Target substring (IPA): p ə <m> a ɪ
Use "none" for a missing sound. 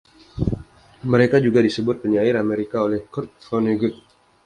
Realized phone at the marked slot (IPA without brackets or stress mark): ɲ